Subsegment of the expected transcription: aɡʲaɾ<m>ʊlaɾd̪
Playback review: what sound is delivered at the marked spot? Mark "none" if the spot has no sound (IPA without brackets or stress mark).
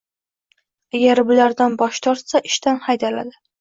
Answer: b